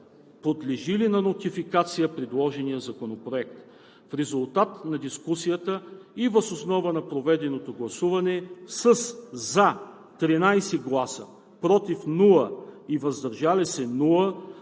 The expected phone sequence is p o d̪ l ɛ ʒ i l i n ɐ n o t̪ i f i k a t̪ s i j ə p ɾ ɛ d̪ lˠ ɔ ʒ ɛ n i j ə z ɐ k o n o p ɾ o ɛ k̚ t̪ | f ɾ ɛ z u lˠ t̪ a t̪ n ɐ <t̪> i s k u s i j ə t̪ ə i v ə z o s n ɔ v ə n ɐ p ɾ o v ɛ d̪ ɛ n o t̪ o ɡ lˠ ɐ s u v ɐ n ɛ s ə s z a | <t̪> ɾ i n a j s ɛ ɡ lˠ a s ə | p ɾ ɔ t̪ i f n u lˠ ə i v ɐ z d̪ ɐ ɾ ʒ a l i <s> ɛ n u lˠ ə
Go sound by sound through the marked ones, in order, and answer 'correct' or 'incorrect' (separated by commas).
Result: incorrect, correct, correct